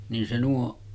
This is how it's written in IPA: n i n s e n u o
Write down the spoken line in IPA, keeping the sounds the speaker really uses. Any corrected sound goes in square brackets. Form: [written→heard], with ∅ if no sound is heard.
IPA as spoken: n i n s e n u o